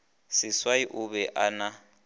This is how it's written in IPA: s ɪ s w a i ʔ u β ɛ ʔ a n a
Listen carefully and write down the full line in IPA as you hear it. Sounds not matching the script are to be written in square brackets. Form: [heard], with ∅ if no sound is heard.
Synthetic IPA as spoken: s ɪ s w a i ʔ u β ɛ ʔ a n a